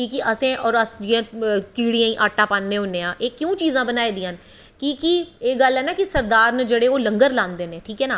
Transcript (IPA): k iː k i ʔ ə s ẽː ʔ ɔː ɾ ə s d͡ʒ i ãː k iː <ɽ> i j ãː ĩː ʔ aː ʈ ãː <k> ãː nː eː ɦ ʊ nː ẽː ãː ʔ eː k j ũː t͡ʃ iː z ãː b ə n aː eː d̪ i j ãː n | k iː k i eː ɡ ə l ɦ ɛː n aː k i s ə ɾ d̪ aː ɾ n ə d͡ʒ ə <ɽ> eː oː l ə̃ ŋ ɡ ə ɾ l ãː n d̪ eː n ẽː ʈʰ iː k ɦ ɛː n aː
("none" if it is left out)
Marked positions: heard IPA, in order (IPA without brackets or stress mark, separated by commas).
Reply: ɽ, p, ɽ